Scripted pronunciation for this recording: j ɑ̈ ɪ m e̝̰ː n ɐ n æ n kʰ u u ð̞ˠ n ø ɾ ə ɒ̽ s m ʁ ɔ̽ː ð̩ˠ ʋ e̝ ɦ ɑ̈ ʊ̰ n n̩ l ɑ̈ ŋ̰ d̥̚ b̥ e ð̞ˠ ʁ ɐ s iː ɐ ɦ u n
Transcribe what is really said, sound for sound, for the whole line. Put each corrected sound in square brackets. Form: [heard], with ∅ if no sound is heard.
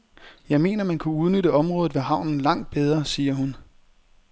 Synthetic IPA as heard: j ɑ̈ ɪ m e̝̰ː n ɐ [m] æ n kʰ u u ð̞ˠ n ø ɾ ə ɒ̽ [∅] m ʁ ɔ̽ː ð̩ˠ ʋ e̝ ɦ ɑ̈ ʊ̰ n n̩ l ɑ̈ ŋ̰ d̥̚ b̥ e ð̞ˠ ʁ ɐ s iː ɐ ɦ u n